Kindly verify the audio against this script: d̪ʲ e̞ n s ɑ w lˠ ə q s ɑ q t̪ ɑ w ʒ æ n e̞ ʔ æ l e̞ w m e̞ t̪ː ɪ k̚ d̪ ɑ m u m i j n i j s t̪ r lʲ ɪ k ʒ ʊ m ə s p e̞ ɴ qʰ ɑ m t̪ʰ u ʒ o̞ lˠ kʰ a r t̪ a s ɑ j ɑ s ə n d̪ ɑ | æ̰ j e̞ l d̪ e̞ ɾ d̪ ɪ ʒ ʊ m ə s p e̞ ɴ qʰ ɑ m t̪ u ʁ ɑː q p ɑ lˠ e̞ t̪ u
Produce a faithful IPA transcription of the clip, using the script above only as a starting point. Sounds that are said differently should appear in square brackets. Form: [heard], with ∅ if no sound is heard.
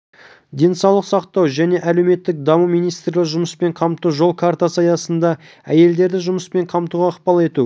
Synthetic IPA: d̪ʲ e̞ n s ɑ w lˠ ə q s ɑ q t̪ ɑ w ʒ æ n e̞ ʔ æ l e̞ w m e̞ t̪ː ɪ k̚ d̪ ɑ m u m i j n i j s t̪ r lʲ ɪ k ʒ ʊ m ə s p e̞ ɴ qʰ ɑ m [t̪] u ʒ o̞ lˠ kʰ a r t̪ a s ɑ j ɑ s ə n d̪ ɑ | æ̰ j e̞ l d̪ e̞ ɾ d̪ ɪ ʒ ʊ m ə s p e̞ ɴ qʰ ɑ m t̪ u ʁ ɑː q p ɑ lˠ e̞ t̪ u